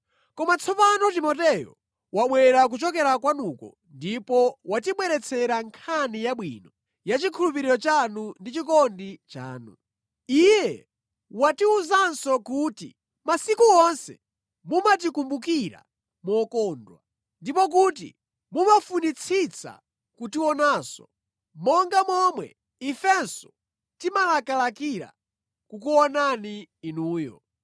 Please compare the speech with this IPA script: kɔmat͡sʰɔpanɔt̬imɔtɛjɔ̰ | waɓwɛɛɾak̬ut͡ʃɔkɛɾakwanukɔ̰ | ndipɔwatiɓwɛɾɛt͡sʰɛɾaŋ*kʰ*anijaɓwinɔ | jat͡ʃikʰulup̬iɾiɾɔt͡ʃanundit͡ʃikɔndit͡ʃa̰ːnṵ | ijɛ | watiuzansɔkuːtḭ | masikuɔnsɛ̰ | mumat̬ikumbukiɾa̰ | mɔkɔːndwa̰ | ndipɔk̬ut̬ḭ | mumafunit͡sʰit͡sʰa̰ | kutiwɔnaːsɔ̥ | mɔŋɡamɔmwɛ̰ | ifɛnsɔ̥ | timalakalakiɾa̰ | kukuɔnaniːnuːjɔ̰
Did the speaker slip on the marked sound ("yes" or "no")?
no